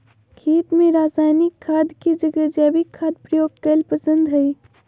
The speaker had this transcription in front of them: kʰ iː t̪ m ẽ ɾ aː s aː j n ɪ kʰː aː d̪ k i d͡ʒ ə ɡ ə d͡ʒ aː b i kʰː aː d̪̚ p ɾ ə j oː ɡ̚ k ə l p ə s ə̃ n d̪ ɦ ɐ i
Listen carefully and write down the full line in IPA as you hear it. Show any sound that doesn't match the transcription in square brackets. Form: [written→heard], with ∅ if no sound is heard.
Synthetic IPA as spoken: kʰ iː t̪ m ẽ ɾ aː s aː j n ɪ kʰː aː d̪ k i d͡ʒ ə ɡ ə d͡ʒ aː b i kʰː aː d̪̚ p ɾ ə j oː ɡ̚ k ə l p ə s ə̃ n d̪ ɦ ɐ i

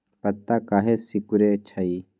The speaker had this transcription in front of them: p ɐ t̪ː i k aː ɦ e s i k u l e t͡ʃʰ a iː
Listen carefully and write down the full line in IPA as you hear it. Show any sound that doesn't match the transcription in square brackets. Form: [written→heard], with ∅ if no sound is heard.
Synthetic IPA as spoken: p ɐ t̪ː [i→a] k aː ɦ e s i k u [l→ɾ] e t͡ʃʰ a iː

